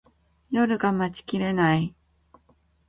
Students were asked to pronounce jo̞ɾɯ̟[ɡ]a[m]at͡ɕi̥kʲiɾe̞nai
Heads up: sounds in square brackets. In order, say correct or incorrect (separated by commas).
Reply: correct, correct